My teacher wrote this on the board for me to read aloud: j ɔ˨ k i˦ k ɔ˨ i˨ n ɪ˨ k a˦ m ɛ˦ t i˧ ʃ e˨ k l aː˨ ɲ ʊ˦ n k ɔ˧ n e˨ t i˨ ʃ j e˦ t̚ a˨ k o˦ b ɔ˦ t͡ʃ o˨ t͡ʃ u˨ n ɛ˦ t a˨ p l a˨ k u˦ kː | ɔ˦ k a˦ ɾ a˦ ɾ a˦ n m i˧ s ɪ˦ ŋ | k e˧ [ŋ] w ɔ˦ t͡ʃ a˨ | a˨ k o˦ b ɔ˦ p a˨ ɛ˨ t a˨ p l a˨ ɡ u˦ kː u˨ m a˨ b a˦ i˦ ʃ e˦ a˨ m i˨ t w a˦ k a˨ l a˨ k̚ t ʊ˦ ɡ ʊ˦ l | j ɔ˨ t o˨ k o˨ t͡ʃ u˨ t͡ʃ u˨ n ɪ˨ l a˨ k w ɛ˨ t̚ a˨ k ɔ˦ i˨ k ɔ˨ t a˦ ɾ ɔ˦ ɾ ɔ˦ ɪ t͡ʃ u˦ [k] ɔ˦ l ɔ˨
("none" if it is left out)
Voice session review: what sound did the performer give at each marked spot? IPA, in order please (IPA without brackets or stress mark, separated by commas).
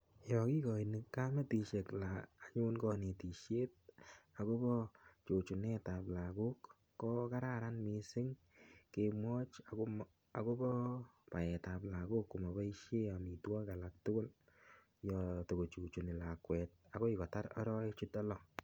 m, t